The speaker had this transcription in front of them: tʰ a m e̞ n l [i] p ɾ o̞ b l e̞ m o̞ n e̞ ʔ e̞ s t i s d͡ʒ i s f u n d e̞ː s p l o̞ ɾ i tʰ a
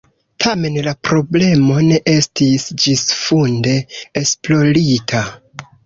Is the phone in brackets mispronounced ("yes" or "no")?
yes